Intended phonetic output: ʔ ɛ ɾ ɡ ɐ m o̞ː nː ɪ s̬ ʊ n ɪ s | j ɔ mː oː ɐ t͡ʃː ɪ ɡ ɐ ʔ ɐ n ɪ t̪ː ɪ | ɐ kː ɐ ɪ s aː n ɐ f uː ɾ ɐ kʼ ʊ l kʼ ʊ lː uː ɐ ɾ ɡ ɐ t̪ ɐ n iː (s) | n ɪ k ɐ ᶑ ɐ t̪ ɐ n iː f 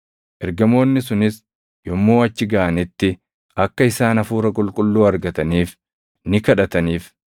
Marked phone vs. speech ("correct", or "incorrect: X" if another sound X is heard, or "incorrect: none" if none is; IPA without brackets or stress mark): incorrect: f